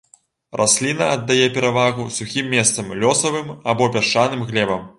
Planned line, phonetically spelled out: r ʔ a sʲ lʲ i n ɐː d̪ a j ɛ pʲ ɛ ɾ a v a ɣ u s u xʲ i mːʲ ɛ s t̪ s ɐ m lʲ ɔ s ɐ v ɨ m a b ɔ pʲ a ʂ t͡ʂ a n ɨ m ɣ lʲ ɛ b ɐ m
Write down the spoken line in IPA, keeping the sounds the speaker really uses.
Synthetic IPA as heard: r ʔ a sʲ lʲ i n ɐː d̪ː a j ɛ pʲ ɛ ɾ a v a ɣ u s u xʲ i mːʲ ɛ s t̪ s ɐ m lʲ ɔ s ɐ v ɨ m a b ɔ pʲ a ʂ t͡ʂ a n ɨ m ɣ lʲ ɛ b ɐ m